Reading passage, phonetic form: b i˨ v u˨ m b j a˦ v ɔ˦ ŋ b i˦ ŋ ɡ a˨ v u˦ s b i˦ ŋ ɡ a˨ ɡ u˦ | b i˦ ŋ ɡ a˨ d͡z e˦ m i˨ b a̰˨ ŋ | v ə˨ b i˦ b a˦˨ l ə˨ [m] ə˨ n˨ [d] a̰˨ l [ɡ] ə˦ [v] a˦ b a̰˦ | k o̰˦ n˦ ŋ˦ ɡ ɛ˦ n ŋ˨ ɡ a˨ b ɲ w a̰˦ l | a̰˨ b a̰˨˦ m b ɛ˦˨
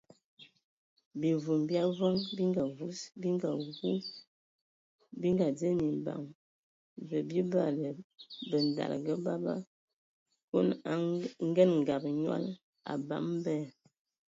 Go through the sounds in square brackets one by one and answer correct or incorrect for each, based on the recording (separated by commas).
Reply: incorrect, correct, correct, incorrect